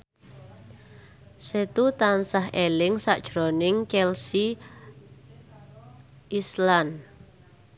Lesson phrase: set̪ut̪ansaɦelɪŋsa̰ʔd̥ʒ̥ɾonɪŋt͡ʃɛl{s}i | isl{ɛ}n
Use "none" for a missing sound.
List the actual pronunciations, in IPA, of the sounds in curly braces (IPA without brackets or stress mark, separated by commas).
s, a